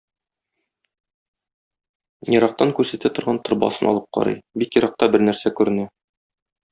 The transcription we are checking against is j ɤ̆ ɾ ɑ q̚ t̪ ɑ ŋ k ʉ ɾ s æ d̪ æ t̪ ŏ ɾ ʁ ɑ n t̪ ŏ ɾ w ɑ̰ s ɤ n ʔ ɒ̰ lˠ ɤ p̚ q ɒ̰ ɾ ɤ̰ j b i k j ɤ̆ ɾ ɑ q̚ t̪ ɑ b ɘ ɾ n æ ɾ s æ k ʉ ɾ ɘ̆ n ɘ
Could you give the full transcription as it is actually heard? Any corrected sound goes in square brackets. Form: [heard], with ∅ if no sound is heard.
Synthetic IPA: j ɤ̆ ɾ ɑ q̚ t̪ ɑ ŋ k ʉ ɾ s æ [t̪] æ t̪ ŏ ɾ ʁ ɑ n t̪ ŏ ɾ [b] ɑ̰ s ɤ n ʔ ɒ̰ lˠ ɤ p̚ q ɒ̰ ɾ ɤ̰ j b i k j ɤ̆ ɾ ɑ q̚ t̪ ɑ b ɘ ɾ n æ ɾ s æ k ʉ ɾ ɘ̆ n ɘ